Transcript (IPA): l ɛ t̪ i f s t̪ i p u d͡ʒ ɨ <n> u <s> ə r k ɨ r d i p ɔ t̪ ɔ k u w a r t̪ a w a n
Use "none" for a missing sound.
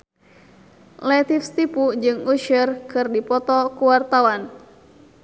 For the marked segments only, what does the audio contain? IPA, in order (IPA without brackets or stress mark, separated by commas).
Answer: ŋ, ʃ